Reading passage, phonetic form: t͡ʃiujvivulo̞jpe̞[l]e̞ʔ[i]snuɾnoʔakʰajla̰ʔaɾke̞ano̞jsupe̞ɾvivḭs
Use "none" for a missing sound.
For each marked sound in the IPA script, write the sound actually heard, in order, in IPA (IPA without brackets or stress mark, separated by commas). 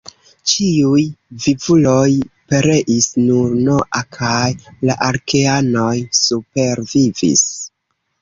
ɾ, i